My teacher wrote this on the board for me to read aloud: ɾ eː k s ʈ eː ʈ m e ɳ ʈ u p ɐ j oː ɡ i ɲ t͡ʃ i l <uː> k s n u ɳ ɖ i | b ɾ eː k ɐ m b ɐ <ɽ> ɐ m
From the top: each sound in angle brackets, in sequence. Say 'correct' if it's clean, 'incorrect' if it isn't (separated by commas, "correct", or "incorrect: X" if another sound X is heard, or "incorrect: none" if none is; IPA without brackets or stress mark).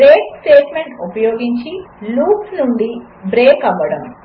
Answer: correct, correct